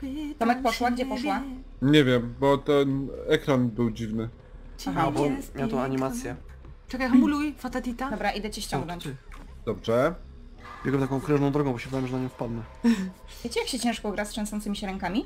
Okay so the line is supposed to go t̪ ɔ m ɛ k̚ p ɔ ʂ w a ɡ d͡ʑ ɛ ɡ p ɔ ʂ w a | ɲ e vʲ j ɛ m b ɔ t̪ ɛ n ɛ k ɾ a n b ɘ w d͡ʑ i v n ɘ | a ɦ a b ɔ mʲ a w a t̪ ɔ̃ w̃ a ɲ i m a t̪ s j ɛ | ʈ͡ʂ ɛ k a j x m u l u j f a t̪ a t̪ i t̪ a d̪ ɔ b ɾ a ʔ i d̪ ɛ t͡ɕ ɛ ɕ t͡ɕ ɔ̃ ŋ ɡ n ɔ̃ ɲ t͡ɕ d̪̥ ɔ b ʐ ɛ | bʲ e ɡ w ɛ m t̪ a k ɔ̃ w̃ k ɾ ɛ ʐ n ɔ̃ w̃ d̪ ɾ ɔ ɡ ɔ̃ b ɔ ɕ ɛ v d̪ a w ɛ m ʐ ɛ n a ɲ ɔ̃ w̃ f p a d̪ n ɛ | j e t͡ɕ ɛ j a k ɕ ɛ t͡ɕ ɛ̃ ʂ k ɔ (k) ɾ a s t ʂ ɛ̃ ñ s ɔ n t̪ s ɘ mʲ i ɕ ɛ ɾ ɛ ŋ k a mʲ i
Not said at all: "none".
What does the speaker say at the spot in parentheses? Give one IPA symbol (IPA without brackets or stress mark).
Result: ɡ